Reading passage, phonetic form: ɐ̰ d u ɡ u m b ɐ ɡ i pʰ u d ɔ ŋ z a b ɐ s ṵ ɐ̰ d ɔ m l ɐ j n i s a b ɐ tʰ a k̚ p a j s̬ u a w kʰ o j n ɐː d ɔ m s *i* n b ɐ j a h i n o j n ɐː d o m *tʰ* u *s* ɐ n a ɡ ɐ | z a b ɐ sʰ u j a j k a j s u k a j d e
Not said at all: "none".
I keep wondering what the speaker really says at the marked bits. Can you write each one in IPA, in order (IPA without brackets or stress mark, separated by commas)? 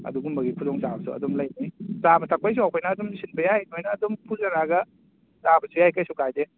i, pʰ, z